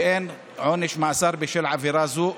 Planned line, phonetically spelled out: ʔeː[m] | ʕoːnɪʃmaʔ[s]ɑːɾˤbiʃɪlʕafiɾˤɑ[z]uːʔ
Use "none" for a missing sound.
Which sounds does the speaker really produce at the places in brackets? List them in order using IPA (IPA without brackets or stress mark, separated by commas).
n, s, z